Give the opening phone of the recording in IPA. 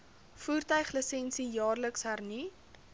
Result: f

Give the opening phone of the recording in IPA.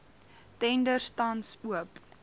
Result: t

